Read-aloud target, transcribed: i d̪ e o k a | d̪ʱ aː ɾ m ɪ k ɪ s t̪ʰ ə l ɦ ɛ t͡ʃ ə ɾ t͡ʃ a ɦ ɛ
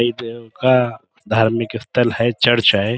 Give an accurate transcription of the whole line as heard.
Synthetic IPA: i d̪ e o k a | d̪ʱ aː ɾ m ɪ k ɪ s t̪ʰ ə l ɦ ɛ t͡ʃ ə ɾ t͡ʃ a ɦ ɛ